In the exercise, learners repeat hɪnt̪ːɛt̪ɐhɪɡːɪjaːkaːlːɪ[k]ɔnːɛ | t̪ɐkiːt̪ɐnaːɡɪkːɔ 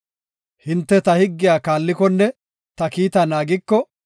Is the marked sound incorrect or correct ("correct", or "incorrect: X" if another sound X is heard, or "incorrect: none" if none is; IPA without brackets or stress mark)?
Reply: correct